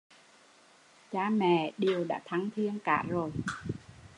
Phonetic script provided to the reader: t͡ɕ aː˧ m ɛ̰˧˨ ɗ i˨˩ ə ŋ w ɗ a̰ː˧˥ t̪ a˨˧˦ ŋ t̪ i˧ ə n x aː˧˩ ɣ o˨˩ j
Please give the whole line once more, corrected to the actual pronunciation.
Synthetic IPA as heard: t͡ɕ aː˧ m ɛ̰˧˨ ɗ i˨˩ ə w ɗ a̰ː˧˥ t̪ʰ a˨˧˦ ŋ t̪ʰ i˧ ə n k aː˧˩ z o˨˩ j

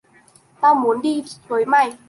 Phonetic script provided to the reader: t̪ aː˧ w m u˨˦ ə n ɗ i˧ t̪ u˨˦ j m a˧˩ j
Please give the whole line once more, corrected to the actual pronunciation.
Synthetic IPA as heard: t̪ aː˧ w m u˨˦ ə n ɗ i˧ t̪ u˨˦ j m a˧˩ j

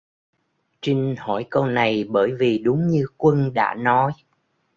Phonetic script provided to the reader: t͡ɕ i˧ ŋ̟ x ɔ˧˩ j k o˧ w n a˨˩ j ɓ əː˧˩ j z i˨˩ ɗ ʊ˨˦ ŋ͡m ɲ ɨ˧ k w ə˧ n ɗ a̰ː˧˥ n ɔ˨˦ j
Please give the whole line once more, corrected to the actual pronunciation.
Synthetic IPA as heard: t͡ɕ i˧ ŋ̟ h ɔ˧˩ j k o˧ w n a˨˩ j ɓ əː˧˩ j v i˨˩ ɗ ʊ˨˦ ŋ͡m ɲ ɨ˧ k w ə˧ n ɗ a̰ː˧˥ n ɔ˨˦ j

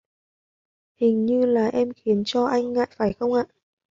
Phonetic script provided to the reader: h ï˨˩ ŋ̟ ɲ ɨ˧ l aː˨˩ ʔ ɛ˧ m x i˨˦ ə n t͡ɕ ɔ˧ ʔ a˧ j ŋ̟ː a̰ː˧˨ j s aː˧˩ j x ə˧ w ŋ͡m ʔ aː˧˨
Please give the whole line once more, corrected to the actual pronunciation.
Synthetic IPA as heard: h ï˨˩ ŋ̟ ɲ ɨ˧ l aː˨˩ ʔ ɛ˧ m x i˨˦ ə n t͡ɕ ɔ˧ ʔ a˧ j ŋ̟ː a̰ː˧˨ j f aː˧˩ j x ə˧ w ŋ͡m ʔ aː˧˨

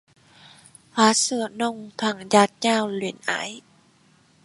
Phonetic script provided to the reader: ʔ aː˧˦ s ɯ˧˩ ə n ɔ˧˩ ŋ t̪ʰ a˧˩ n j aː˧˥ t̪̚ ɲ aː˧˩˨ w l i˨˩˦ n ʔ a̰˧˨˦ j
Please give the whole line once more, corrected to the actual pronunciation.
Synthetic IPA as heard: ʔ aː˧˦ s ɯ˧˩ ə n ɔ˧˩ ŋ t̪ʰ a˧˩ ŋ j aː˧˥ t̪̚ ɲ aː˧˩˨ w l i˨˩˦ n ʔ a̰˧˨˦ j

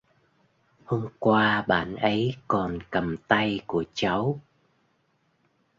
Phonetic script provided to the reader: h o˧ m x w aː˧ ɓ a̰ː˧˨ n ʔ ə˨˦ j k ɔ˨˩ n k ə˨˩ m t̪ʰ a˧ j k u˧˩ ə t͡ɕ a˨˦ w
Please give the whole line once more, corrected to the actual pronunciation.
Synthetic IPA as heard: h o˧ m k w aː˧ ɓ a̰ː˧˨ n ʔ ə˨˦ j k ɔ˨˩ n k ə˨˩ m t̪ a˧ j k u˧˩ ə t͡ɕ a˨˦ w

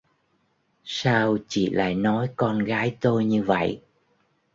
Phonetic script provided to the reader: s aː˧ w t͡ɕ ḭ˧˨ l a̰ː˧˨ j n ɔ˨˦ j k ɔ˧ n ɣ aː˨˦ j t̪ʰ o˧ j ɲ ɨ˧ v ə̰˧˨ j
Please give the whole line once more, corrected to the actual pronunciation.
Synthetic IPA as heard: s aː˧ w t͡ɕ ḭ˧˨ l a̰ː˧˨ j n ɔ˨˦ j k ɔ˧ n ɣ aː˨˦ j t̪ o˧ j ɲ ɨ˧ v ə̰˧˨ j

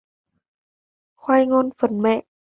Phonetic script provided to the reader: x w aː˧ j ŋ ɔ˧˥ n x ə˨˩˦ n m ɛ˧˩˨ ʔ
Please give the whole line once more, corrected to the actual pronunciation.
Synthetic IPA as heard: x w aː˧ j ŋ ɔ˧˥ n f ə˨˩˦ n m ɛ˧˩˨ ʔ

